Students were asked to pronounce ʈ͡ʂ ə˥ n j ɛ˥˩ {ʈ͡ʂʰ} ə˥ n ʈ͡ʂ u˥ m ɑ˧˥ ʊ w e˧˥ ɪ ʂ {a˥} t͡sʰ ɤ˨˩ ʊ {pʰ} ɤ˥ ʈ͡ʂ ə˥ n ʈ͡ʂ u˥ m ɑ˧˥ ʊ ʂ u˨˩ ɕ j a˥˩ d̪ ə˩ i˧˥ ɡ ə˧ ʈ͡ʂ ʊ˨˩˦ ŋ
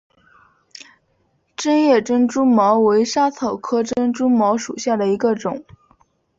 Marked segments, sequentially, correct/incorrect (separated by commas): incorrect, correct, incorrect